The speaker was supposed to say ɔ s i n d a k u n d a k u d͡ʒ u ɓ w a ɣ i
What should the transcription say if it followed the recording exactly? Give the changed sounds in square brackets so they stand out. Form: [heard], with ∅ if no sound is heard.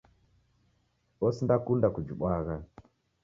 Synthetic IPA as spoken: ɔ s i n d a k u n d a k u d͡ʒ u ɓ w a ɣ [a]